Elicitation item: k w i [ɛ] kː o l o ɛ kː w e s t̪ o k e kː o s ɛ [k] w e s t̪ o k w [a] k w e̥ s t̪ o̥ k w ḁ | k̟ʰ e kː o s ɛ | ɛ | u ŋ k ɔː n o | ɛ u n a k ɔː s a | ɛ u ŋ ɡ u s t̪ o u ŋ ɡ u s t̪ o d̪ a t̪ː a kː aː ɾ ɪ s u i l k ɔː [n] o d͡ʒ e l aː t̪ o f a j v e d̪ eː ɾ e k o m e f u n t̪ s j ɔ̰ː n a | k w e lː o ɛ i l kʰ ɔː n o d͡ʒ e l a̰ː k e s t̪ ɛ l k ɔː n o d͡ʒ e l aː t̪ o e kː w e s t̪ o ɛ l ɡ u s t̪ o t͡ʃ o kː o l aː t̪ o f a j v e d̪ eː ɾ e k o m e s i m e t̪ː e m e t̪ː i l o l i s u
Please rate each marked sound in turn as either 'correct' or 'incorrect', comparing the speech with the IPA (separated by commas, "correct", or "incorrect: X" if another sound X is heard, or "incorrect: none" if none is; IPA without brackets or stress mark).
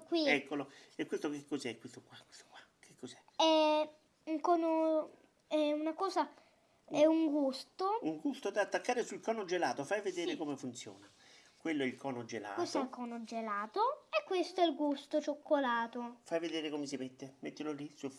correct, correct, correct, correct